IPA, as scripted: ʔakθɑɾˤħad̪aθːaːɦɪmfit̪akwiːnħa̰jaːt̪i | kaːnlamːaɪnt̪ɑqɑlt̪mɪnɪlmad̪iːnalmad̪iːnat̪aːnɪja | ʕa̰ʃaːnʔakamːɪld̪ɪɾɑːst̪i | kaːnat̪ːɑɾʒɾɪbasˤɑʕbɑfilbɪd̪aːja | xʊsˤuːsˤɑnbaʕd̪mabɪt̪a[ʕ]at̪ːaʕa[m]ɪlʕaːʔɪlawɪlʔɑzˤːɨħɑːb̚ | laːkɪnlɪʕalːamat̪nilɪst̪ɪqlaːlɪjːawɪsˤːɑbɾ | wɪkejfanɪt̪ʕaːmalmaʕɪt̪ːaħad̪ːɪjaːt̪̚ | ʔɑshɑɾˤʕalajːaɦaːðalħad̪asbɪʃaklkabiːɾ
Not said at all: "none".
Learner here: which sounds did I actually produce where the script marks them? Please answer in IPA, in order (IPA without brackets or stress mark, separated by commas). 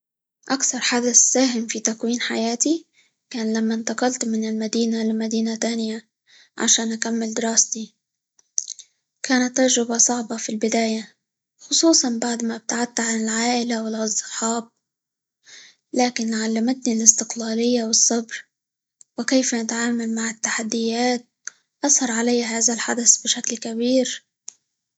ʕ, n